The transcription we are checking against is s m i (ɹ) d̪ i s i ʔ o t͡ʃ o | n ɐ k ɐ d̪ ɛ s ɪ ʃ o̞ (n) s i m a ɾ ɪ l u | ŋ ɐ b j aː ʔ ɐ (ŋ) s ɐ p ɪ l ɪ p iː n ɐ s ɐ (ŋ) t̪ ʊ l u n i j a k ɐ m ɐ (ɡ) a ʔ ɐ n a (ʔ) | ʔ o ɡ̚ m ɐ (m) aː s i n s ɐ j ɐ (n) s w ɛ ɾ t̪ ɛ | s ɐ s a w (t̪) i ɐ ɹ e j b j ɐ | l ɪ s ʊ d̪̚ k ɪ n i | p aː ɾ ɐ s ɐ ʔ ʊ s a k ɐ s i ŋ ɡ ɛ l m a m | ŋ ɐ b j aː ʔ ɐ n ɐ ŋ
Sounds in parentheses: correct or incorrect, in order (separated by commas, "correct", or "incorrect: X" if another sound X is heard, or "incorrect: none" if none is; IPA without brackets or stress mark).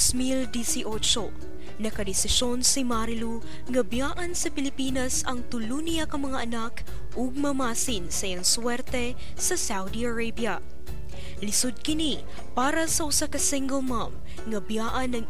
incorrect: l, correct, incorrect: n, correct, incorrect: ŋ, incorrect: k, correct, incorrect: ŋ, incorrect: d̪